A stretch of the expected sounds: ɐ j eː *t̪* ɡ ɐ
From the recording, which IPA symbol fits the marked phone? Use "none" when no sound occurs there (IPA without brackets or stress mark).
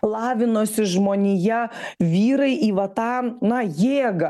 none